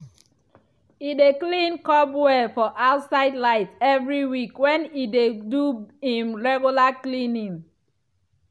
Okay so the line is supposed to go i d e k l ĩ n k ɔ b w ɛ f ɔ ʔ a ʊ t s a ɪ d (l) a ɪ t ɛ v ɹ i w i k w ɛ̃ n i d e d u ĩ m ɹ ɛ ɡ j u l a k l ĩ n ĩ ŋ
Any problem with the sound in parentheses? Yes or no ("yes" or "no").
no